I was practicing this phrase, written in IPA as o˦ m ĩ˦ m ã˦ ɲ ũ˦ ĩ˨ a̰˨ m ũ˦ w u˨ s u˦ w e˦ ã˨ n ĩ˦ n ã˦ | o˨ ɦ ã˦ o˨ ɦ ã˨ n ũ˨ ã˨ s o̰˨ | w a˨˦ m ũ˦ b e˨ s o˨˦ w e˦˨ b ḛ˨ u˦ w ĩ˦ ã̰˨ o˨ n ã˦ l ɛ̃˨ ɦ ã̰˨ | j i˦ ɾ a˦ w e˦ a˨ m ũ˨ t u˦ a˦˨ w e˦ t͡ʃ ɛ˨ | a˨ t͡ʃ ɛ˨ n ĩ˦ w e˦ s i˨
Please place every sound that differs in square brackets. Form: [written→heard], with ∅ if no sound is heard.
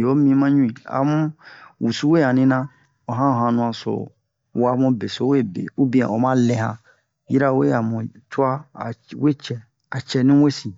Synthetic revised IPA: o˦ m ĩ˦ m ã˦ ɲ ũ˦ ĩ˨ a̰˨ m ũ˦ w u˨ s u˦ w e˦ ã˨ n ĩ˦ n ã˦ | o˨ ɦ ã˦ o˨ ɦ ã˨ n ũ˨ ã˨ s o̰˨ | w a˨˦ m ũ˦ b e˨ s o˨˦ w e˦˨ b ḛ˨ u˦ [w→b] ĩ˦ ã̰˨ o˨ [n→m] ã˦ l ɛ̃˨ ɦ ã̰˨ | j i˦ ɾ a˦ w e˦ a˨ m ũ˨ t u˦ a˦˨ w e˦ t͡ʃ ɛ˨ | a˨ t͡ʃ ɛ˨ n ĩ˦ w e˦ s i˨